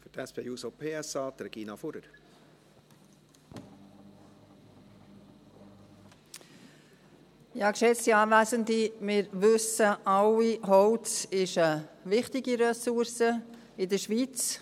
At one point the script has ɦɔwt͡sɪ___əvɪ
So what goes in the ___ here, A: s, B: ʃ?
B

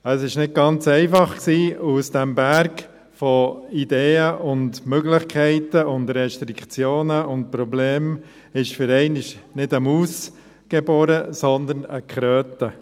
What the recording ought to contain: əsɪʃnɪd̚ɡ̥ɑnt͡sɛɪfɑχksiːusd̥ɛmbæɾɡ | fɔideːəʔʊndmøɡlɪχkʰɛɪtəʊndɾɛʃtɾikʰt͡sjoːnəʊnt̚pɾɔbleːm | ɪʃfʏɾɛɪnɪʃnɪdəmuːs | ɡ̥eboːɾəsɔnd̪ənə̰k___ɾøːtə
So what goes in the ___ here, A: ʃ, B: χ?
B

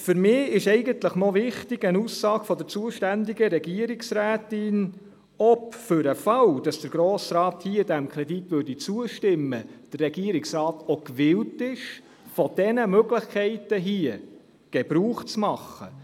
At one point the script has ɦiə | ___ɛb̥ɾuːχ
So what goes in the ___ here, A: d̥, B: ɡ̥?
B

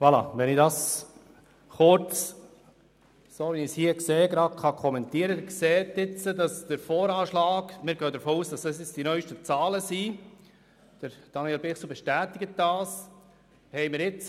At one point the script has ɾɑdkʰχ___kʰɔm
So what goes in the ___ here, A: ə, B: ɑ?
B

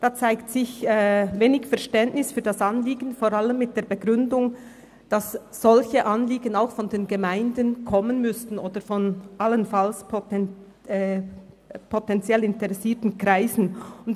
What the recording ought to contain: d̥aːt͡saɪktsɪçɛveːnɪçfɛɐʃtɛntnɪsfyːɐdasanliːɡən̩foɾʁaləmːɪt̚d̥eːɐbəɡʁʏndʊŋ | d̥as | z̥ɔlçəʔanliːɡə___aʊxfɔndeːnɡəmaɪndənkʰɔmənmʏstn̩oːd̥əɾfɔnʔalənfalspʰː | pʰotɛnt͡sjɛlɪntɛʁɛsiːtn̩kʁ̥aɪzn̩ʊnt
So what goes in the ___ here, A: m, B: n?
B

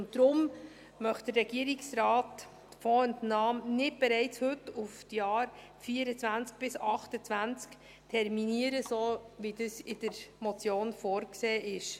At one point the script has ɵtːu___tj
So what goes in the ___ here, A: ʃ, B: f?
B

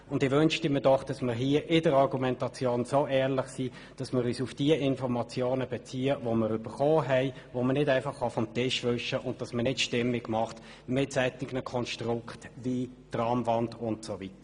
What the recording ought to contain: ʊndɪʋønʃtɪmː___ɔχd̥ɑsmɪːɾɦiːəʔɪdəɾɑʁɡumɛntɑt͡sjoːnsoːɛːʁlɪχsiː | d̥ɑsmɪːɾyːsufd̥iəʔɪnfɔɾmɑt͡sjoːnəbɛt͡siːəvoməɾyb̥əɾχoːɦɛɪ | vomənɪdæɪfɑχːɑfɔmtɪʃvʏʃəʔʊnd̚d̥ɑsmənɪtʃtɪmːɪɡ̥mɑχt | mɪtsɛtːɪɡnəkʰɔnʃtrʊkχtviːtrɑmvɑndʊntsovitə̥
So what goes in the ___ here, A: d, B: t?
A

